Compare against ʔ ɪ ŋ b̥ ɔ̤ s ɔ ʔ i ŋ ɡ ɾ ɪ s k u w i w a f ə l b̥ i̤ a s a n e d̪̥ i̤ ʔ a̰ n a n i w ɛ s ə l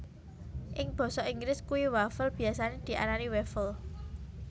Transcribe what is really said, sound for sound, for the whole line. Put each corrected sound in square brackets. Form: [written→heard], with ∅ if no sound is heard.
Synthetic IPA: ʔ ɪ ŋ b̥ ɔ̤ s ɔ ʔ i ŋ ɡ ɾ ɪ s k u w i w a f ə l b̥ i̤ a s a n e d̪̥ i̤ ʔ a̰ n a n i w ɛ [s→f] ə l